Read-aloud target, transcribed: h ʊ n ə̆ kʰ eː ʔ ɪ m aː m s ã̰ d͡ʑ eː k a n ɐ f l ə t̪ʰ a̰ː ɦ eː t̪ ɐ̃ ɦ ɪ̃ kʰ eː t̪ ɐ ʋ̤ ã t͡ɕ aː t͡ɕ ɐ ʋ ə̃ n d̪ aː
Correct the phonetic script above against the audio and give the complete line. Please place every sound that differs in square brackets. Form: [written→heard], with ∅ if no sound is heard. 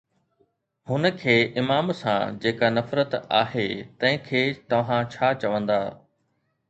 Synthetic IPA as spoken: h ʊ n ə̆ kʰ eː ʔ ɪ m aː m s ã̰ d͡ʑ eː k a n ɐ f [l→ɾ] ə [t̪ʰ→t̪] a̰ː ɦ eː t̪ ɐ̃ ɦ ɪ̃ kʰ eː t̪ ɐ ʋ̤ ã [t͡ɕ→t͡ɕʰ] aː t͡ɕ ɐ ʋ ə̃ n d̪ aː